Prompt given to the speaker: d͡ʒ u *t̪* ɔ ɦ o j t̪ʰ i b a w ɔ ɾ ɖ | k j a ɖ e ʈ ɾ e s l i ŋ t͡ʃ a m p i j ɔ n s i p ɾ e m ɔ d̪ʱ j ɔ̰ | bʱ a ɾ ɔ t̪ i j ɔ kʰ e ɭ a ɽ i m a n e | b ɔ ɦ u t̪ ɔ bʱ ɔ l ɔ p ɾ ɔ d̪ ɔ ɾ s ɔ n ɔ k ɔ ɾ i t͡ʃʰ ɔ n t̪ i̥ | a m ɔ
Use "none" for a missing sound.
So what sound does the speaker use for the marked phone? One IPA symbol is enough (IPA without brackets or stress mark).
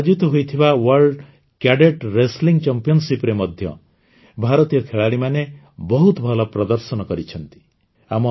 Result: t̪